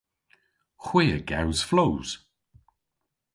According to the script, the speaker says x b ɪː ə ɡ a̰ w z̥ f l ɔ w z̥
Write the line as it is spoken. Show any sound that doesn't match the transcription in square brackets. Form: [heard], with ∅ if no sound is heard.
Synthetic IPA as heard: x [w] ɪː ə ɡ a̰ w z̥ f l [o] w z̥